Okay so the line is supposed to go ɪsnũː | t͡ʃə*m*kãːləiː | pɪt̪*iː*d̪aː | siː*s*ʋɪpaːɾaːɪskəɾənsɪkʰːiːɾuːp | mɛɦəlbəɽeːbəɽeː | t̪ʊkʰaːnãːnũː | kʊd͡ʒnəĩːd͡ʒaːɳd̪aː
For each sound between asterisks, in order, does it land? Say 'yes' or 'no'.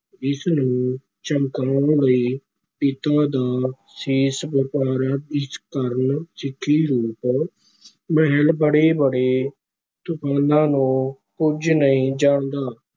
yes, no, yes

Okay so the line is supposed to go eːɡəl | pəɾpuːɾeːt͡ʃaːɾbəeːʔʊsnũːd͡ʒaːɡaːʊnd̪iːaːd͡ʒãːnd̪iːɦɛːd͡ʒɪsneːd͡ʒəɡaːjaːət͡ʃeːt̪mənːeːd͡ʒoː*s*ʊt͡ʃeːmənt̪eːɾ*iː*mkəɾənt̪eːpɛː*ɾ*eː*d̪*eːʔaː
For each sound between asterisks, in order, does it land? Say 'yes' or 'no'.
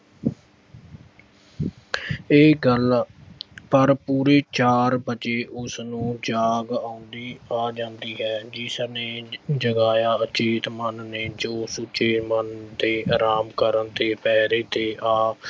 yes, no, yes, no

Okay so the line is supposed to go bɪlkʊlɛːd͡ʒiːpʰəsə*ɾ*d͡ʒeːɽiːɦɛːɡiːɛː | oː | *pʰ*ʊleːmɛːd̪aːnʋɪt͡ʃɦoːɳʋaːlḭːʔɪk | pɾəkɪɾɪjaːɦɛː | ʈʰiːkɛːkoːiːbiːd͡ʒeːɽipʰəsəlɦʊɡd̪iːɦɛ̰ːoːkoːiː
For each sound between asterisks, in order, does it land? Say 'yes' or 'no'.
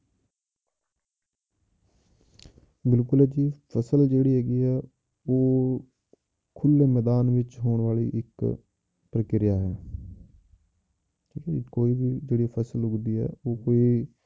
no, no

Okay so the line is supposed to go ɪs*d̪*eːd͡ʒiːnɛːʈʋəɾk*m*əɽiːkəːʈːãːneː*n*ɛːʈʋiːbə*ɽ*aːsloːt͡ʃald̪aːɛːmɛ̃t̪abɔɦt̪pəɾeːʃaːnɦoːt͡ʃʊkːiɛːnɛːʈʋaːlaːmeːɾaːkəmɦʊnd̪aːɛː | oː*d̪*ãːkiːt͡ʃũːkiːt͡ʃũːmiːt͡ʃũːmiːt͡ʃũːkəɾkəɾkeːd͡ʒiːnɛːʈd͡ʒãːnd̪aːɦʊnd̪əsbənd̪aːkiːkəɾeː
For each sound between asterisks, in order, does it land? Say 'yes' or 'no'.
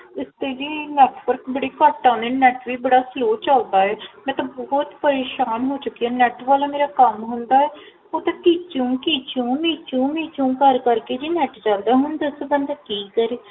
no, no, yes, yes, no

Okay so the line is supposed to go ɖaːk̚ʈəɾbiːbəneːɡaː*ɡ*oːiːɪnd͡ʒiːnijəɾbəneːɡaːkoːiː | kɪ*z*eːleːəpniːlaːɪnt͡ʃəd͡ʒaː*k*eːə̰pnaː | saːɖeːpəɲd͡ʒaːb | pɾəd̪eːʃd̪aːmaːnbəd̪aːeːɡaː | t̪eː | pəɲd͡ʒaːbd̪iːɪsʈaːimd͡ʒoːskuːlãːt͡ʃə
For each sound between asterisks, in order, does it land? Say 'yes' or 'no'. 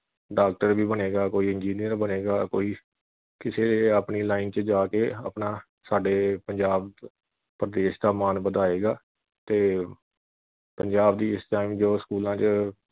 no, no, yes

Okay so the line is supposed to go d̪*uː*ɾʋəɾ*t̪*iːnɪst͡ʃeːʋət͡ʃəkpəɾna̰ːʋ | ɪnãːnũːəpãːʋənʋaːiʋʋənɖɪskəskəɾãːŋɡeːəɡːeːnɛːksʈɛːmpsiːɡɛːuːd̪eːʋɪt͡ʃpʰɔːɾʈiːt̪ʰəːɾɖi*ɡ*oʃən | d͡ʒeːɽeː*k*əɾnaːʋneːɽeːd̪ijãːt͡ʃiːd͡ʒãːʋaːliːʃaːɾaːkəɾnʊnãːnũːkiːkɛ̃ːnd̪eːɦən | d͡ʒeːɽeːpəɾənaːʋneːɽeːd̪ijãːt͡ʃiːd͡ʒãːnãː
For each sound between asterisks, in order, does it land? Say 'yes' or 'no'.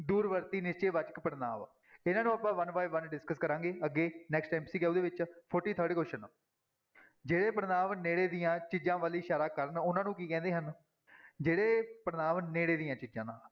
yes, yes, no, no

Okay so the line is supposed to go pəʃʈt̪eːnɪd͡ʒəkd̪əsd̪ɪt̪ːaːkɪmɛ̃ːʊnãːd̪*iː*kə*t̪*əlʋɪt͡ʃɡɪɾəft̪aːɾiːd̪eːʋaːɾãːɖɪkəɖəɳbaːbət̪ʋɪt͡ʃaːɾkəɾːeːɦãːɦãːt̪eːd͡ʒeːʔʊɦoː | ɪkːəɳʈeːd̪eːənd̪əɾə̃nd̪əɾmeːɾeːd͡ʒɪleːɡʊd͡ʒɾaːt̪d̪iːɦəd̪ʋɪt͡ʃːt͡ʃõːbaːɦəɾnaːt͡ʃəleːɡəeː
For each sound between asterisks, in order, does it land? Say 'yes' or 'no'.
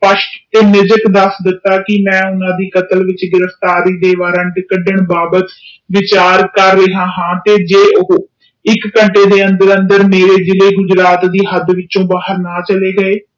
yes, yes

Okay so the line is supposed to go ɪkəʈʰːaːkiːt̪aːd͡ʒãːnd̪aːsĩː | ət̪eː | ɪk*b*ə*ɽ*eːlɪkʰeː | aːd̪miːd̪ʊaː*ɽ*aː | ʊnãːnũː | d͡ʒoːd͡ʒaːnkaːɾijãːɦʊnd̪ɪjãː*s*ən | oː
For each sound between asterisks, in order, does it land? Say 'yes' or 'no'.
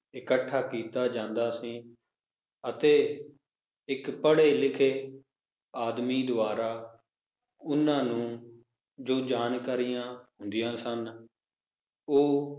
no, yes, no, yes

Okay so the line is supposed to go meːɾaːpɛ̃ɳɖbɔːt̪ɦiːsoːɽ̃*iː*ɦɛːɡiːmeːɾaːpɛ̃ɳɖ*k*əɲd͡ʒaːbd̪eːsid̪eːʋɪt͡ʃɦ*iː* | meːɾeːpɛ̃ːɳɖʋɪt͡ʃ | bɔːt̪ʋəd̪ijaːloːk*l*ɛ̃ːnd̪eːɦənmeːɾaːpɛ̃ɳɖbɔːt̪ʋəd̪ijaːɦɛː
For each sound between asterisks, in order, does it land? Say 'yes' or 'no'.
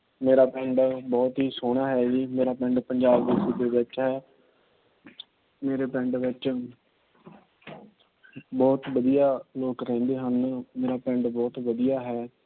no, no, no, no

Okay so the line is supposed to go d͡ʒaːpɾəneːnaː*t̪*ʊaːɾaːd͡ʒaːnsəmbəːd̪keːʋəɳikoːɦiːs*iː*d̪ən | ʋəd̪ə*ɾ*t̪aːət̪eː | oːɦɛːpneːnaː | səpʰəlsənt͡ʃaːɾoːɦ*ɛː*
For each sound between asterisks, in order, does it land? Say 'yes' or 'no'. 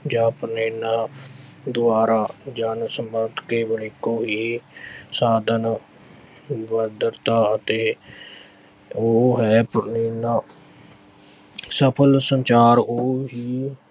no, no, yes, no

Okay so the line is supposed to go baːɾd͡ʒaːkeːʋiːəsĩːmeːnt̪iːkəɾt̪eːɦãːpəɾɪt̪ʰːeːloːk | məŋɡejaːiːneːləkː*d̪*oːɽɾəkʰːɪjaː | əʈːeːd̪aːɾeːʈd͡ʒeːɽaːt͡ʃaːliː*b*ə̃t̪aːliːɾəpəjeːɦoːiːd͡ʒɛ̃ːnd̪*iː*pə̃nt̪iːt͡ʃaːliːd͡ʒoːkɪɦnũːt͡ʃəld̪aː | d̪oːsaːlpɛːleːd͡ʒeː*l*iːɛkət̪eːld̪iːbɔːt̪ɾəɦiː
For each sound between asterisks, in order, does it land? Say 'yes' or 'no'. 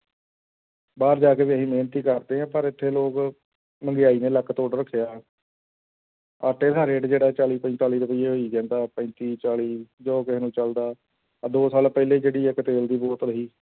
no, no, no, no

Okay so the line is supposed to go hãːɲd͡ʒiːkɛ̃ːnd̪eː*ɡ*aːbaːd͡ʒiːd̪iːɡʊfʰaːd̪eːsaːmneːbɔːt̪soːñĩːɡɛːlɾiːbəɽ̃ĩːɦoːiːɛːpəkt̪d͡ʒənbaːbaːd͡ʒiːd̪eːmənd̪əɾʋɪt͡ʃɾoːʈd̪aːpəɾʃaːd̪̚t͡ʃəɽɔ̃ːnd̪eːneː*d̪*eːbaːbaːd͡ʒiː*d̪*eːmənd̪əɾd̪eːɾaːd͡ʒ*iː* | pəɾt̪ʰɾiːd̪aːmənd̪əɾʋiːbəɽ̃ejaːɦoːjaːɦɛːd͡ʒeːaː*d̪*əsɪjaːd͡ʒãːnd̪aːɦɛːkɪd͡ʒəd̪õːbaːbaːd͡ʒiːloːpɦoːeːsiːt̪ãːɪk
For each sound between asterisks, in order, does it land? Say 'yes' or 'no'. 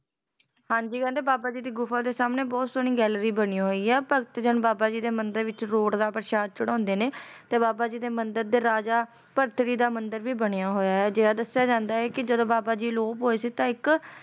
no, no, yes, no, yes

